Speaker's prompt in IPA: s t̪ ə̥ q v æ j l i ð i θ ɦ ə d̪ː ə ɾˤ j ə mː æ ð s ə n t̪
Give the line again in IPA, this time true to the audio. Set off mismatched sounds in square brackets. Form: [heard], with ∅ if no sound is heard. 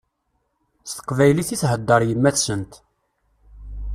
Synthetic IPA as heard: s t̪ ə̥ q v æ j l i [θ] i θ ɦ ə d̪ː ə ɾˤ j ə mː æ [θ] s ə n t̪